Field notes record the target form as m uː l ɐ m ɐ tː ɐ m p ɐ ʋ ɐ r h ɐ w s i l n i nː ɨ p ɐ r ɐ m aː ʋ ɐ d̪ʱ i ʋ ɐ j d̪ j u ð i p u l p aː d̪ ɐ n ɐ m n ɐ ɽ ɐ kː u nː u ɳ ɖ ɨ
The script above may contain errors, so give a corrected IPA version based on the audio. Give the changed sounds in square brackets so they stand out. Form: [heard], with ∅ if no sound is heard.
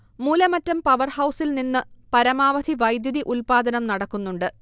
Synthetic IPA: m uː l ɐ m ɐ tː ɐ m p ɐ ʋ ɐ r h ɐ w s i l n i nː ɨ p ɐ [ɾ] ɐ m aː ʋ ɐ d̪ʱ i ʋ ɐ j d̪ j u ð i [ʔ] u l p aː d̪ ɐ n ɐ m n ɐ ɽ ɐ kː u nː u ɳ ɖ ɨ